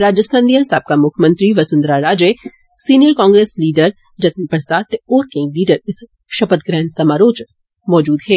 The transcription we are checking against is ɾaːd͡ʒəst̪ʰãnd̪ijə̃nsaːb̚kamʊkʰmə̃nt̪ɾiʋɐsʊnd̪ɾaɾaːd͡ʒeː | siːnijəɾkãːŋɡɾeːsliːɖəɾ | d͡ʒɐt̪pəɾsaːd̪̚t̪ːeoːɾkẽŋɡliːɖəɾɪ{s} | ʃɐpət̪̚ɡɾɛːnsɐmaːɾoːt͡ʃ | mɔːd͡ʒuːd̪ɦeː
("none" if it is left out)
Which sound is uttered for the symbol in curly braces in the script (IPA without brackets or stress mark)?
s